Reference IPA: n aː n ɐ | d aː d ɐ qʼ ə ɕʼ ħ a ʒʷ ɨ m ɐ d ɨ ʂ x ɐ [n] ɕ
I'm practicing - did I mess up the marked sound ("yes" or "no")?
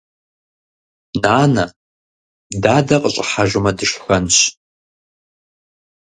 no